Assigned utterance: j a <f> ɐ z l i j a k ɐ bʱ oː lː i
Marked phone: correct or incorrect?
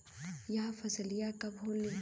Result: correct